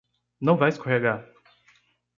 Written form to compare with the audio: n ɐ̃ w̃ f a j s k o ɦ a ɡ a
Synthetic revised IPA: n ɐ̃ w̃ v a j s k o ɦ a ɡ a